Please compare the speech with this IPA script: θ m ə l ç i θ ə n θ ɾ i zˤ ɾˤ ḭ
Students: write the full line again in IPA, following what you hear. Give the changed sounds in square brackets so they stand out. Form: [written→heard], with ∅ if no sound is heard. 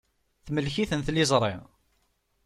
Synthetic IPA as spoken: θ m ə l ç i θ ə n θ [ɾ→l] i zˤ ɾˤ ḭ